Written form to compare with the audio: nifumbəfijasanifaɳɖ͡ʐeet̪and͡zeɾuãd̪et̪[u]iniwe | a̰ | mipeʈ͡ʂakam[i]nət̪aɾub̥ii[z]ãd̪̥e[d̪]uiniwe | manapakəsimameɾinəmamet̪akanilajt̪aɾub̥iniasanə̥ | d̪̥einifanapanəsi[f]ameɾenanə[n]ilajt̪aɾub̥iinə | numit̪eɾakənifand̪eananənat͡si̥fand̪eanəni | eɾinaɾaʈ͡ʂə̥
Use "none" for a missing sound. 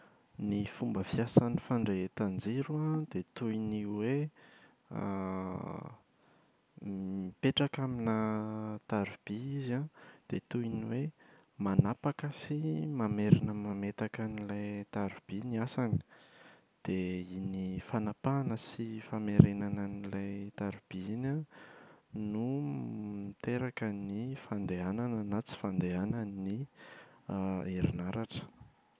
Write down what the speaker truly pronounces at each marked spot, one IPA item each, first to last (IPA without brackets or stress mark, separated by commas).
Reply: u, i, z, t̪, f, n